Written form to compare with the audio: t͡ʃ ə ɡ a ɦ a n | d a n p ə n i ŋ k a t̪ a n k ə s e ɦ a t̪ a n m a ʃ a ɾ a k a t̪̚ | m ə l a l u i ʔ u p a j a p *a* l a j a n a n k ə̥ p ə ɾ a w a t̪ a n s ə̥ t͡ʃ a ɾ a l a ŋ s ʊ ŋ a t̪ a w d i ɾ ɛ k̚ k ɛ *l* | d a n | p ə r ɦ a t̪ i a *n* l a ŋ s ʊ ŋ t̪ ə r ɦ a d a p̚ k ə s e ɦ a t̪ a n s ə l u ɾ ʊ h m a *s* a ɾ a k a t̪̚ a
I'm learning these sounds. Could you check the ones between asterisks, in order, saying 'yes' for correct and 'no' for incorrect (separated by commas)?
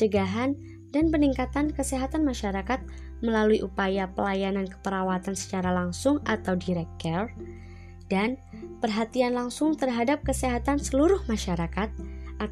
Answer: no, no, yes, no